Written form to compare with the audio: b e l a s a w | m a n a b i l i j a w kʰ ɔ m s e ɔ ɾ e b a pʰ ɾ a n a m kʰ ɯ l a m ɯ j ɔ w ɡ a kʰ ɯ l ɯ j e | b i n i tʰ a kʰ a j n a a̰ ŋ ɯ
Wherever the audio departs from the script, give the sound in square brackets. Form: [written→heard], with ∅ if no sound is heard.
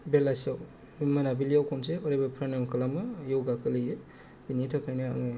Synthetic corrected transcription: b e l a s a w | m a n a b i l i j a w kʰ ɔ m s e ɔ ɾ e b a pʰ ɾ a n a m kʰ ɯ l a m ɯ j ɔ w ɡ a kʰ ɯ l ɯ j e | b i n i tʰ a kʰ a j n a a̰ ŋ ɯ